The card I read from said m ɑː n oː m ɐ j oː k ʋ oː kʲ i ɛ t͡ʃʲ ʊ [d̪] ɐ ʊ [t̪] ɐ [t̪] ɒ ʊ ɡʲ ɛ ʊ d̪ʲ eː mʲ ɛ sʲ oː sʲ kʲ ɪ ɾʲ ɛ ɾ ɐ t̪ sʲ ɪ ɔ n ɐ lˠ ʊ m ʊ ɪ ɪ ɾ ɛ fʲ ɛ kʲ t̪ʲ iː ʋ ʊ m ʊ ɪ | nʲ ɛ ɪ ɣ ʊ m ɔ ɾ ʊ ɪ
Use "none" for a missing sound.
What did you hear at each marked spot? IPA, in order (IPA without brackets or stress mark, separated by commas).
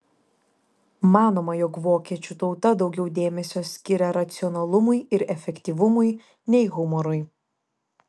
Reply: t̪, t̪, d̪